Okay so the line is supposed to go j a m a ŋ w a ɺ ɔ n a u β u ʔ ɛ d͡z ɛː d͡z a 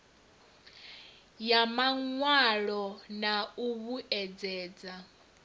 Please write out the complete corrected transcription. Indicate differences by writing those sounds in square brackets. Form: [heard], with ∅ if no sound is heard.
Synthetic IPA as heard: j a m a ŋ w a ɺ ɔ n a u β u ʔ ɛ d͡z ɛː d͡z a